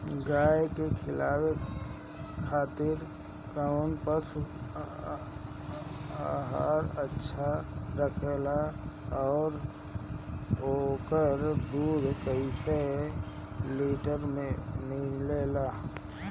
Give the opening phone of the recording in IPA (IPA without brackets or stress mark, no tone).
ɡ